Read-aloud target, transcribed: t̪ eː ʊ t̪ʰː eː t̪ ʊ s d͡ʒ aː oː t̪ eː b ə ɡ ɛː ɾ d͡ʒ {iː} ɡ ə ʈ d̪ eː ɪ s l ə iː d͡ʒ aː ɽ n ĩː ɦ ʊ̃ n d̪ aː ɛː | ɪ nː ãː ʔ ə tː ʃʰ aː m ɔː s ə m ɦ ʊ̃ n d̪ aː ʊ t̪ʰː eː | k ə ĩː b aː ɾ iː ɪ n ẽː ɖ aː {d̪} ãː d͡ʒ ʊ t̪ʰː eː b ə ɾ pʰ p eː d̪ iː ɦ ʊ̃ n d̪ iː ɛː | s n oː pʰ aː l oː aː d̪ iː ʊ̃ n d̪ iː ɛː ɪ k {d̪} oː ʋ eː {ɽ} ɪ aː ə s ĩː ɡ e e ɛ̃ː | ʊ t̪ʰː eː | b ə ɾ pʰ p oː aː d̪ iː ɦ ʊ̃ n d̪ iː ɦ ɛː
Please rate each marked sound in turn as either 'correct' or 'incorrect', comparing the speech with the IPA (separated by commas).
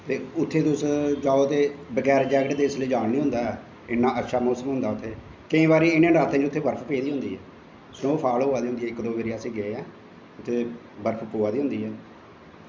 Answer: incorrect, incorrect, correct, incorrect